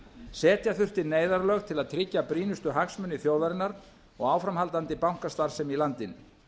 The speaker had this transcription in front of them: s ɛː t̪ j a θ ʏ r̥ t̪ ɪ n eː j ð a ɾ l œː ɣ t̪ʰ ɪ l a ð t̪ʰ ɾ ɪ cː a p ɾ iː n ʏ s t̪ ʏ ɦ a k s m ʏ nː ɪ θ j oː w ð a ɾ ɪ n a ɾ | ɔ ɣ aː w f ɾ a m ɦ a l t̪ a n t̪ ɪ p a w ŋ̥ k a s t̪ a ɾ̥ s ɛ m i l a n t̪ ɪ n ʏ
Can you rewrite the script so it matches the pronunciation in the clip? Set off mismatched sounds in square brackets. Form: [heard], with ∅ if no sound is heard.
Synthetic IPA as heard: s ɛː t̪ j a θ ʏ r̥ t̪ ɪ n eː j ð a ɾ l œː ɣ t̪ʰ ɪ l a ð t̪ʰ ɾ ɪ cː a p ɾ iː n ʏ s t̪ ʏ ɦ a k s m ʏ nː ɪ θ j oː w ð a ɾ ɪ n a ɾ | ɔ ɣ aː w f ɾ a m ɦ a l t̪ a n t̪ ɪ p a w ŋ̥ k a s t̪ a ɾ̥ s ɛ m i l a n t̪ ɪ n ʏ